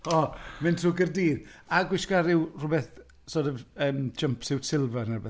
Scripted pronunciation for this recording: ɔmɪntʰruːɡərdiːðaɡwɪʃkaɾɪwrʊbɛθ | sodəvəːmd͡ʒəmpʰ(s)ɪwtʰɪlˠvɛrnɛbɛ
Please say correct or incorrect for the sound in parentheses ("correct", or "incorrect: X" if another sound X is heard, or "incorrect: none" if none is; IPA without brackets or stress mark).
correct